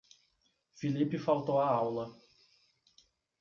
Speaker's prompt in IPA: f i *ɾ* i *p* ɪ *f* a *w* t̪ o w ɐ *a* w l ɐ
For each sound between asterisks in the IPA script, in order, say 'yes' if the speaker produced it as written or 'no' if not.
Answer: no, yes, yes, yes, yes

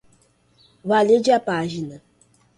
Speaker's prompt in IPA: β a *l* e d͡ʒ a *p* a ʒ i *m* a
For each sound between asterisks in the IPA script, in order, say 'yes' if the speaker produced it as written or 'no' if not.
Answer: yes, yes, no

